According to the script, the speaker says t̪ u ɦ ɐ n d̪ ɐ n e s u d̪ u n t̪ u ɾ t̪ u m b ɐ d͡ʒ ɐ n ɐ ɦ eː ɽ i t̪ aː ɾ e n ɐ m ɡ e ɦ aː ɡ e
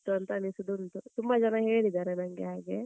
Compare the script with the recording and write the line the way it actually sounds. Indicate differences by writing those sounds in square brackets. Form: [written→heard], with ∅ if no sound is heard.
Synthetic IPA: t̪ u [ɦ→∅] ɐ n [d̪→t̪] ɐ n [e→i] s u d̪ u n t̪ u [ɾ→∅] t̪ u m b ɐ d͡ʒ ɐ n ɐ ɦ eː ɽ i [t̪→d̪] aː ɾ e n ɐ [m→ŋ] ɡ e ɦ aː ɡ e